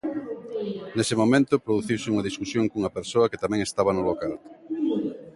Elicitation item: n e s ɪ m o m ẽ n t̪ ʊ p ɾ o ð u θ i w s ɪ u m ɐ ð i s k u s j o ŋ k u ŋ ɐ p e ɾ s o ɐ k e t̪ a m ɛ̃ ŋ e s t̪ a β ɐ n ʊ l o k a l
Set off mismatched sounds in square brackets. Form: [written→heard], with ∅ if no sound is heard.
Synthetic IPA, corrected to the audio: n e s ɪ m o m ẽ n t̪ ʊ p ɾ o ð u θ i w s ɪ u [m→ŋ] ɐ ð i s k u s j o ŋ k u ŋ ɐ p e ɾ s o ɐ k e t̪ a m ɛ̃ ŋ e s t̪ a β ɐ n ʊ l o k a l